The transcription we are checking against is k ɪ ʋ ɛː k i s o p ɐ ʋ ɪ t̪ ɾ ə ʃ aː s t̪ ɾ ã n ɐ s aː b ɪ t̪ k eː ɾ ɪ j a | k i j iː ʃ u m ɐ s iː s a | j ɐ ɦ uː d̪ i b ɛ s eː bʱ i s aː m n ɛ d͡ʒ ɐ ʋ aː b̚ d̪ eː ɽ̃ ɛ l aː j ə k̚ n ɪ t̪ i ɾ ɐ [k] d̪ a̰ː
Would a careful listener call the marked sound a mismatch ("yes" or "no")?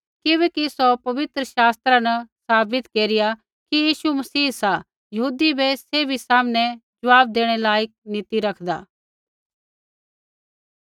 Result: yes